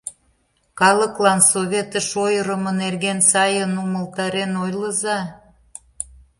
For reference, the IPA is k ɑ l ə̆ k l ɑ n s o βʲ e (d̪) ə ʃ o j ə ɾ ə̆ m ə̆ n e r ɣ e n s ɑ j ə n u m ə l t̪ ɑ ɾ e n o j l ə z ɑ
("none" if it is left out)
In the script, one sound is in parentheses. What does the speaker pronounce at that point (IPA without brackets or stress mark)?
t̪